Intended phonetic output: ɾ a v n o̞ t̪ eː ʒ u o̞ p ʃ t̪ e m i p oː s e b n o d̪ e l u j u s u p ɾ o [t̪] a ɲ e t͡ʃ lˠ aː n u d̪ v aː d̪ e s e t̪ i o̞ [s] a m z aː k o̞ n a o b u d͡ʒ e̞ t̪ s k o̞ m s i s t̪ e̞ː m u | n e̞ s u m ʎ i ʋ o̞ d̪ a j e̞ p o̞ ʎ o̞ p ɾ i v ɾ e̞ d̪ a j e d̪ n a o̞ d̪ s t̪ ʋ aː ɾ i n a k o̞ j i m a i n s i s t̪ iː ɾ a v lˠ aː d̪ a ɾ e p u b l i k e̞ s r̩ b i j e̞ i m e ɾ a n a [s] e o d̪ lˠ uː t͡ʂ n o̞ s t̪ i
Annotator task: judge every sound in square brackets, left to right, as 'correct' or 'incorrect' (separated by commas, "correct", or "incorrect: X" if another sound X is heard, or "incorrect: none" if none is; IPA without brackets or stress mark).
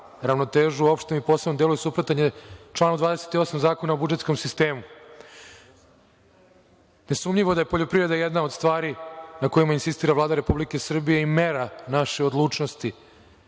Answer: correct, correct, incorrect: ʃ